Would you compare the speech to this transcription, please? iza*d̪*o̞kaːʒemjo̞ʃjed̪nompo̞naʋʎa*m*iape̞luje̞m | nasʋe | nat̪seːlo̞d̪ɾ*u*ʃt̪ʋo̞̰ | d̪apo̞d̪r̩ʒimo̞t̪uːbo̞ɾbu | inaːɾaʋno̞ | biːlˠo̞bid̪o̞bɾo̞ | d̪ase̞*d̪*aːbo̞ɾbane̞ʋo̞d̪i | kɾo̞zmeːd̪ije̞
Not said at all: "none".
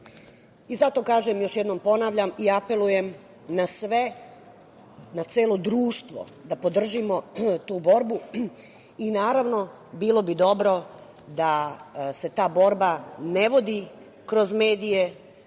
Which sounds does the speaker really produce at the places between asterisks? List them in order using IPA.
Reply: t̪, m, uː, t̪

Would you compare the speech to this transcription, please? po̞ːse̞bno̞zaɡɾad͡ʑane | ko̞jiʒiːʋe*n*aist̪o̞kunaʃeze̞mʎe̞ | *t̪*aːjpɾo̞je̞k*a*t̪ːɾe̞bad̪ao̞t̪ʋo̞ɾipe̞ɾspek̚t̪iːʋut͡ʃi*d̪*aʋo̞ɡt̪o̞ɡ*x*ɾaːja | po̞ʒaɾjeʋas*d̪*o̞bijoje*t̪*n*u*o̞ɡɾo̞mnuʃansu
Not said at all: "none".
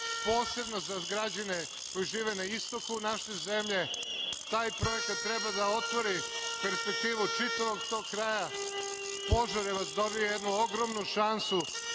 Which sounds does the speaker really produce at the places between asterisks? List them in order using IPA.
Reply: n, t̪, a, t̪, k, d̪, d̪, u

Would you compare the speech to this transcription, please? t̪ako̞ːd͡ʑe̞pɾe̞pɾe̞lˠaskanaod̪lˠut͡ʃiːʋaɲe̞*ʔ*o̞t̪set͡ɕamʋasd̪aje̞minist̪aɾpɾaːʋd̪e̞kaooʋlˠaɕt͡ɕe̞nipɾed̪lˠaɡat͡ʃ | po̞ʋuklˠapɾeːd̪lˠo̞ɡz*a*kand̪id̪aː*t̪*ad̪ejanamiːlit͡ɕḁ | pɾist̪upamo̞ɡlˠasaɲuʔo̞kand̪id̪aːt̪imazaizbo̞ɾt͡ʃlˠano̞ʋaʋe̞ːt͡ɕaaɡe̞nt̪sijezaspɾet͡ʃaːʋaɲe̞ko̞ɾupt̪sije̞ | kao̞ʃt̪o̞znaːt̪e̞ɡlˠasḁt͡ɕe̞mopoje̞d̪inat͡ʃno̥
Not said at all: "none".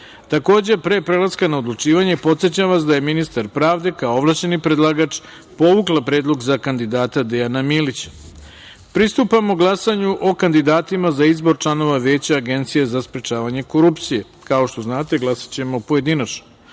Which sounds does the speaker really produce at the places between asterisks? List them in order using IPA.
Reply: p, a, t̪

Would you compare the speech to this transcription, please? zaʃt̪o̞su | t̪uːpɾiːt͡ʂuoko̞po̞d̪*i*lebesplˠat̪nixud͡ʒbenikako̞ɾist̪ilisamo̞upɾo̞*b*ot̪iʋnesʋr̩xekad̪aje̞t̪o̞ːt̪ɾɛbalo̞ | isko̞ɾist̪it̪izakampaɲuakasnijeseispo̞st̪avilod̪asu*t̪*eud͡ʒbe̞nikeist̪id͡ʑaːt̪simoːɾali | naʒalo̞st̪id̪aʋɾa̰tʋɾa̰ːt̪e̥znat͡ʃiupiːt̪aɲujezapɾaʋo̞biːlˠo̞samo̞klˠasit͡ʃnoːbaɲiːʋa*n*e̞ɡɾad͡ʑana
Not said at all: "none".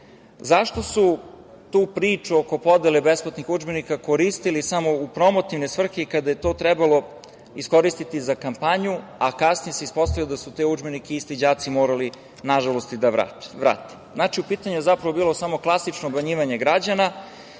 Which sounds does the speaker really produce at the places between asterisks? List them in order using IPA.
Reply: e, m, t̪, ɲ

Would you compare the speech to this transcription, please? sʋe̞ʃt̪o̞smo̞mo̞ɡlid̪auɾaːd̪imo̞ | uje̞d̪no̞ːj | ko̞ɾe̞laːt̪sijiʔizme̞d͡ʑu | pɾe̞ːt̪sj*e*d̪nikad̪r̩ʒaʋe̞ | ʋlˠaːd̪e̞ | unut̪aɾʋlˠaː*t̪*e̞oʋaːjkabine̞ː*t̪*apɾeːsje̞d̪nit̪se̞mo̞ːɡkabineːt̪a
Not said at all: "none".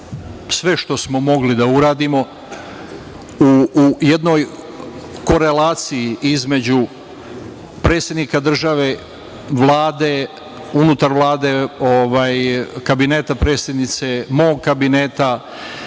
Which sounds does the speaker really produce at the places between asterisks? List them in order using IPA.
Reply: e, d̪, t̪

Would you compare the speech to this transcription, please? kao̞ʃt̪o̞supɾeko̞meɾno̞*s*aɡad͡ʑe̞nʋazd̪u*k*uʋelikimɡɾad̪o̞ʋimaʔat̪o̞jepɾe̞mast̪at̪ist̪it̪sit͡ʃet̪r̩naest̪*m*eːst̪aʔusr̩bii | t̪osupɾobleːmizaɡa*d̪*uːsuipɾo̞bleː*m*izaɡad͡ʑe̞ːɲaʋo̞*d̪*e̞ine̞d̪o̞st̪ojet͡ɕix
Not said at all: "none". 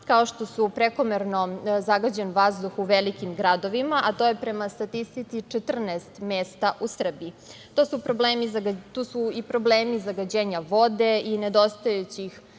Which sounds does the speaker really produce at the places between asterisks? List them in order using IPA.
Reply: z, x, m, t̪, m, d̪

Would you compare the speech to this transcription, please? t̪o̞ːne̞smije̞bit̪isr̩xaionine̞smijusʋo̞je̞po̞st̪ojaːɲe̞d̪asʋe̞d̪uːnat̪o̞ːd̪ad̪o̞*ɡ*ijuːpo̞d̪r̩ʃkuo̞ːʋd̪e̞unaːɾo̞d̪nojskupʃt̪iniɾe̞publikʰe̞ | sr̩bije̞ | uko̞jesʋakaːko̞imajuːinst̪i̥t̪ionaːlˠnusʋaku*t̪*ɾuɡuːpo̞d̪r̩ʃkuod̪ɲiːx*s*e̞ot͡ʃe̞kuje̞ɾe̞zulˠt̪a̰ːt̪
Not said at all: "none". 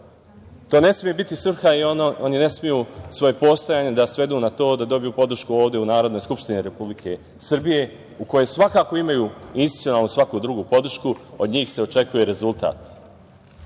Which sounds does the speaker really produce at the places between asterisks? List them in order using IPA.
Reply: b, d̪, s

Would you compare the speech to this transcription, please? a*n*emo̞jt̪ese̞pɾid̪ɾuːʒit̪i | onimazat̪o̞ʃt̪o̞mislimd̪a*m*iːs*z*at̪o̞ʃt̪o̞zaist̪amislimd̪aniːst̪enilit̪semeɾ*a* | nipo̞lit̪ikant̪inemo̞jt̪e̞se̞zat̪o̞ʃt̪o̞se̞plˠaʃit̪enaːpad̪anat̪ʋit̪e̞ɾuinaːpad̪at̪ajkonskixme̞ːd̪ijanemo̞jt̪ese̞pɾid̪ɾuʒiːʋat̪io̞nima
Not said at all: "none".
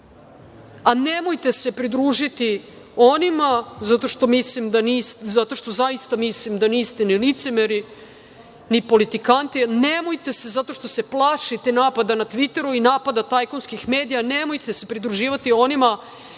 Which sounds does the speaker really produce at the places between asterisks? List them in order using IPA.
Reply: n, n, z, i

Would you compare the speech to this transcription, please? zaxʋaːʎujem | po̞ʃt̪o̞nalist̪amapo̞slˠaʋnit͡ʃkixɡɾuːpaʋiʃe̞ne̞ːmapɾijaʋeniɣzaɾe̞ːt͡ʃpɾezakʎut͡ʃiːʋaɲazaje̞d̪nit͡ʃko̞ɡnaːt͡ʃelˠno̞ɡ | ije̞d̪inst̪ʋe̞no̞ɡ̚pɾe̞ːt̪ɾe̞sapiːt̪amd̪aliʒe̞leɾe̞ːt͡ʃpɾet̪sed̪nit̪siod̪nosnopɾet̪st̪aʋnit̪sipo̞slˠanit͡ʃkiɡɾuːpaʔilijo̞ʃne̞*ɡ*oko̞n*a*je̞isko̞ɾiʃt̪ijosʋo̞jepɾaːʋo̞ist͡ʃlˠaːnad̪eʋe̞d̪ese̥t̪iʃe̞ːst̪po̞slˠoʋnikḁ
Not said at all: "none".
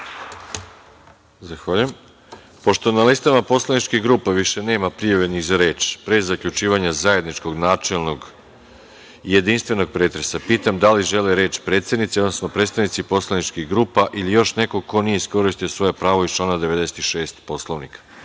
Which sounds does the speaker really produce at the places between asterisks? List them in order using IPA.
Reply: k, i

